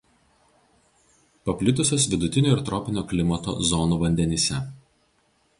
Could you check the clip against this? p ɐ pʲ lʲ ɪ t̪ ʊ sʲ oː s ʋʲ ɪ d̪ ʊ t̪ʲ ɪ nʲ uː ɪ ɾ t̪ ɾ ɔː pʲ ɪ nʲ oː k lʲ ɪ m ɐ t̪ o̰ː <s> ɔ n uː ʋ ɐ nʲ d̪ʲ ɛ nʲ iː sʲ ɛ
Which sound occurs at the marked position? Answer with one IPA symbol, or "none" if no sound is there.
z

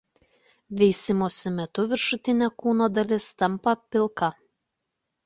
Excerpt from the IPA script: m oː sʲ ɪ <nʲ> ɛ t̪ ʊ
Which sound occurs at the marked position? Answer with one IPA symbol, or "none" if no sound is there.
mʲ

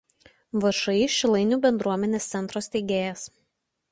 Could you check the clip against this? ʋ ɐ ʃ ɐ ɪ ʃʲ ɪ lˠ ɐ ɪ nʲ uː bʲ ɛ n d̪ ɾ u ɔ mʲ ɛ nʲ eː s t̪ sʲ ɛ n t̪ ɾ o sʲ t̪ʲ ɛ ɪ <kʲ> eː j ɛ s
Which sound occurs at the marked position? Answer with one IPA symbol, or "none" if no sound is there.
ɡʲ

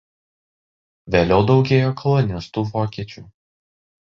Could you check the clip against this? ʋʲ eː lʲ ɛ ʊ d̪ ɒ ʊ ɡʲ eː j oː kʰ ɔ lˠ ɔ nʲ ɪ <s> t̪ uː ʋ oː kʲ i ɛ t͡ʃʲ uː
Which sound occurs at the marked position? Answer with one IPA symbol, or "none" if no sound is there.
s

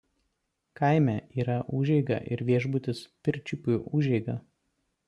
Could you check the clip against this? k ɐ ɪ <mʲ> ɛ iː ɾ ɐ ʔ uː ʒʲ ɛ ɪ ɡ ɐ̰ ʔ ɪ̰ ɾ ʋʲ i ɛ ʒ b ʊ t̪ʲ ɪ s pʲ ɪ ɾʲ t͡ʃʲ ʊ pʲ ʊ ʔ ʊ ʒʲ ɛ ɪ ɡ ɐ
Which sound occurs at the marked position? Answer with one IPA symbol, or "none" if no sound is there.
mʲ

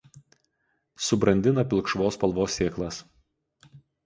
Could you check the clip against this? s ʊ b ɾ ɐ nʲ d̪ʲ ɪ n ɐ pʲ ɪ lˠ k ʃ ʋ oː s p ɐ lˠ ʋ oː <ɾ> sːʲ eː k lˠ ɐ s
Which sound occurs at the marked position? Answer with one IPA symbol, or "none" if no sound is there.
none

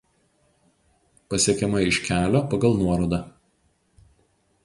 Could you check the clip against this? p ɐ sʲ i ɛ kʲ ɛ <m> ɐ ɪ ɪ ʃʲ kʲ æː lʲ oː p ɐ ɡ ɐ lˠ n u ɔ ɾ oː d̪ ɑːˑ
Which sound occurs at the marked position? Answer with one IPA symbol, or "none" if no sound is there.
m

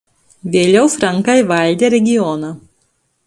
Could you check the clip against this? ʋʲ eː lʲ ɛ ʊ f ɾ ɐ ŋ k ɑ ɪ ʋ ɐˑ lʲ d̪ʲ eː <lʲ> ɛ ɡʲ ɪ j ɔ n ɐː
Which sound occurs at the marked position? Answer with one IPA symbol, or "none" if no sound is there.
ɾʲ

